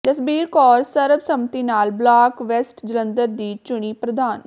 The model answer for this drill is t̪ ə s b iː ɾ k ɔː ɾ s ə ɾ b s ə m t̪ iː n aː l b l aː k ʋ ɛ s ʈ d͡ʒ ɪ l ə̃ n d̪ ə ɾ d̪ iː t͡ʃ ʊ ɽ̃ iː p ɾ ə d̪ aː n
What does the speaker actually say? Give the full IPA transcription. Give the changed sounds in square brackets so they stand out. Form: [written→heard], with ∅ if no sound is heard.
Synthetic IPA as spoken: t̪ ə s b iː ɾ k ɔː ɾ s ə ɾ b s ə m t̪ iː n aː l b l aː k ʋ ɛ s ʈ d͡ʒ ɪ l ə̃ n d̪ ə ɾ d̪ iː t͡ʃ ʊ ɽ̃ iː p ɾ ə d̪ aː n